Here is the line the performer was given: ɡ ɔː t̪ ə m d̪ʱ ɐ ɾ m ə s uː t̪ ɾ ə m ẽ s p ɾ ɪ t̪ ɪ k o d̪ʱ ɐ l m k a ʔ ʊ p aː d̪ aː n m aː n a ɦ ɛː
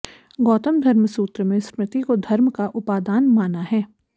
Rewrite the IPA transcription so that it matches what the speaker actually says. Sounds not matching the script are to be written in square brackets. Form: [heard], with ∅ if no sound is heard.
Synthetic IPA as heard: ɡ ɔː t̪ ə m d̪ʱ ɐ ɾ m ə s uː t̪ ɾ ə m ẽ s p ɾ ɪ t̪ [i] k o d̪ʱ ɐ [ɾ] m k a ʔ ʊ p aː d̪ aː n m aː n a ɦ ɛː